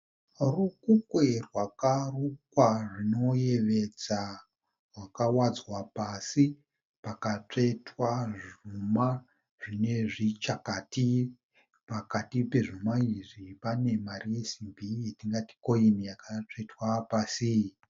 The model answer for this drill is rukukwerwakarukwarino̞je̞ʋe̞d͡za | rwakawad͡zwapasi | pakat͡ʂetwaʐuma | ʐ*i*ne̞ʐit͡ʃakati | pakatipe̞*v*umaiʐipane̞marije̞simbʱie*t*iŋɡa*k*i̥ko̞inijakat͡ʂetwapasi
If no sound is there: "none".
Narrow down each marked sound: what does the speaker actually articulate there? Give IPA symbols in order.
i, ʐ, t, t

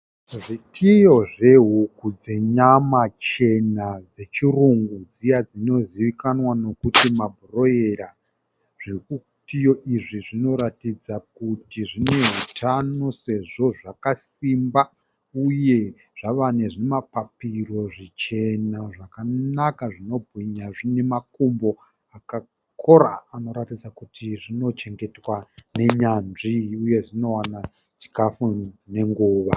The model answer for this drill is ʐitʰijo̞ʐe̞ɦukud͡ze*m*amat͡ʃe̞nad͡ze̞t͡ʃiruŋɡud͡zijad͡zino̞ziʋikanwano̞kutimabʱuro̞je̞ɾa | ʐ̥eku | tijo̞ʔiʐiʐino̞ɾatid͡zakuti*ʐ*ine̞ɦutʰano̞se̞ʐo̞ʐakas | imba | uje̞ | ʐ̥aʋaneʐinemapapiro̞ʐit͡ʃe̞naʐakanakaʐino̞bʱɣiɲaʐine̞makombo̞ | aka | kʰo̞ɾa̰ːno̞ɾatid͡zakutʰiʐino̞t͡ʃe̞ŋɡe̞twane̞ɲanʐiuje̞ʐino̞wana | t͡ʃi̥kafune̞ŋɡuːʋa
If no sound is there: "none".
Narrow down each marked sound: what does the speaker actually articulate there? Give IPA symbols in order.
ɲ, ʐ

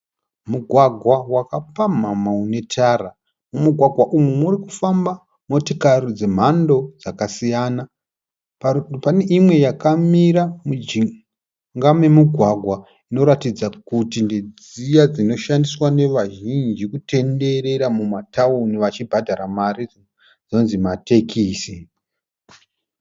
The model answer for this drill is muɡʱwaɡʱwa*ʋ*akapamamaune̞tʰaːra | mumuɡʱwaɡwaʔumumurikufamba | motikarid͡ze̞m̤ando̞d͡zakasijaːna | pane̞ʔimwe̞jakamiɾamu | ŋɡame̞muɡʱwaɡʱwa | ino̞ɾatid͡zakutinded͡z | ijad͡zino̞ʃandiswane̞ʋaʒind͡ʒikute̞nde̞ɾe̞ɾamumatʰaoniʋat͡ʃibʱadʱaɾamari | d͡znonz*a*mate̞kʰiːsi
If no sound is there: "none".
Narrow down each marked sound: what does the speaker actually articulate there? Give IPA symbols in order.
w, i

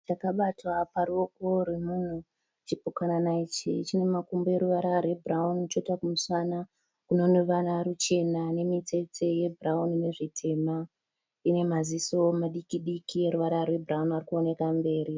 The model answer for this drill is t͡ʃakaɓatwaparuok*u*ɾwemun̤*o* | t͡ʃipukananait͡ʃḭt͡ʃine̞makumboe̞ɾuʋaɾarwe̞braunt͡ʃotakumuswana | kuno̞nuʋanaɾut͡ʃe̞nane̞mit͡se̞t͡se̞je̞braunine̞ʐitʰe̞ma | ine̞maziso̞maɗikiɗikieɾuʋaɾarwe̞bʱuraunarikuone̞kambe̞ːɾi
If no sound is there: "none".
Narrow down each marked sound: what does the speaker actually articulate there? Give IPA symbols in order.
o, u

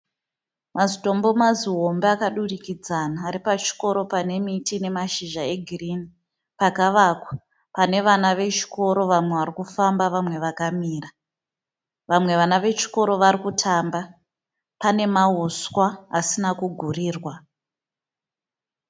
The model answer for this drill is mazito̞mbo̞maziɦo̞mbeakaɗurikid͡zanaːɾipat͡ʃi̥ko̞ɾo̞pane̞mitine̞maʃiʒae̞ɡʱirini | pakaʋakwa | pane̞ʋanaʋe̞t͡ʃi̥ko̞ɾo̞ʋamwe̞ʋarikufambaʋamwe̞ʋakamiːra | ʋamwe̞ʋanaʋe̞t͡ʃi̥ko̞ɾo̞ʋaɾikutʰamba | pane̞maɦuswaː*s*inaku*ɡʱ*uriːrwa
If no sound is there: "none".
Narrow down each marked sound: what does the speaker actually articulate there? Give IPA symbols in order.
s, ɡʱ

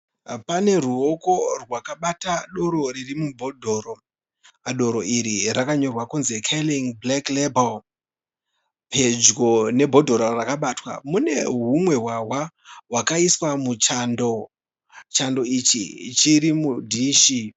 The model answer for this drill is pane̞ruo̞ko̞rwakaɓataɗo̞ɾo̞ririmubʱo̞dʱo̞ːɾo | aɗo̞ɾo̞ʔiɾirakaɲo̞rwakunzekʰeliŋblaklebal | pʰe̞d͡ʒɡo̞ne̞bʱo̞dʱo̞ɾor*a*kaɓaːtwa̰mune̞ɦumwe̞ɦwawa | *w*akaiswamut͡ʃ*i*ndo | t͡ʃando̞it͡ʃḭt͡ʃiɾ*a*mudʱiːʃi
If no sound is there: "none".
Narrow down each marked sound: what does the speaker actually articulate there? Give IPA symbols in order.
a, w, a, i

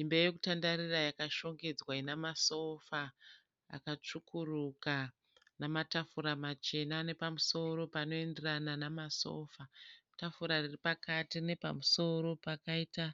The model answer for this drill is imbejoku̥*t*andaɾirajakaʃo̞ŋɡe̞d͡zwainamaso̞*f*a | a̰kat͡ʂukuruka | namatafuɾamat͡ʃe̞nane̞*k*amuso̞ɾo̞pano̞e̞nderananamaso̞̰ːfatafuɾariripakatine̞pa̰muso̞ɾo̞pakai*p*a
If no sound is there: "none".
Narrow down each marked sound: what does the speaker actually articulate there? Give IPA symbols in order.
t, f, p, t

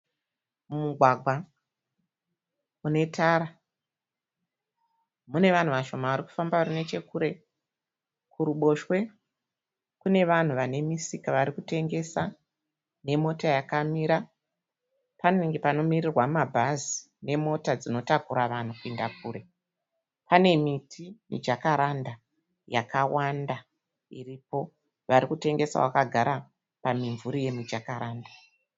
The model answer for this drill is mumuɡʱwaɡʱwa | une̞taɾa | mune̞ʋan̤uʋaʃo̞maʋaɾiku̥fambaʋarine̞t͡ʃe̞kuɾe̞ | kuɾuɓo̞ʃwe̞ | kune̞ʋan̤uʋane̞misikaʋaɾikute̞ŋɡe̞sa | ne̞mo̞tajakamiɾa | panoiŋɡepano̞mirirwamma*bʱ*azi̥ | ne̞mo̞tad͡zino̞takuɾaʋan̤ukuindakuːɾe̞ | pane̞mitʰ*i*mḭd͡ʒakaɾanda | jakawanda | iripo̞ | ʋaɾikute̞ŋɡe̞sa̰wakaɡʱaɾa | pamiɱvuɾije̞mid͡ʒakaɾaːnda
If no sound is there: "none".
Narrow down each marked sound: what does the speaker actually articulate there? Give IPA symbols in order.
bʱ, i

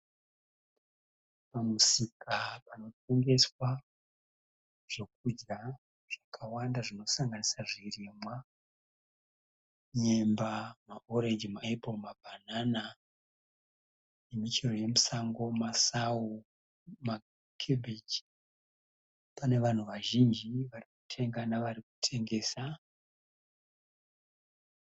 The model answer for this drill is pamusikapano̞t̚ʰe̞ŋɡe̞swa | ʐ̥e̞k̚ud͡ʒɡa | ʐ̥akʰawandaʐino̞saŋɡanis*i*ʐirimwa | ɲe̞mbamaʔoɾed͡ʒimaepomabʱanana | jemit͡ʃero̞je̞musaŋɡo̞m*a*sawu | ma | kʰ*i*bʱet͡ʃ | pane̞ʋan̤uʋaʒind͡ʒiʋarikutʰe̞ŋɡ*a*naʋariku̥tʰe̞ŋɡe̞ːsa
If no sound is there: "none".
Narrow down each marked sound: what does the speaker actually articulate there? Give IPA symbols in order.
a, a, e, a

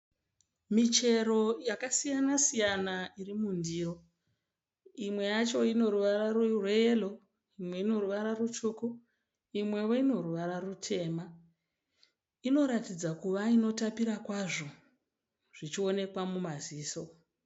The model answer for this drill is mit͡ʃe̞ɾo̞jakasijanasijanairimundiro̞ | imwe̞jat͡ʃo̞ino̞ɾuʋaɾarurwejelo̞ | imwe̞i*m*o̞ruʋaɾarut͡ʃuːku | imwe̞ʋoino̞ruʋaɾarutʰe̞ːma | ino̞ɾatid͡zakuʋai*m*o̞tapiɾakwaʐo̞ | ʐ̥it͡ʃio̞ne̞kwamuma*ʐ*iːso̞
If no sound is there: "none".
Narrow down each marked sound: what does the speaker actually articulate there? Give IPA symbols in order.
n, n, z

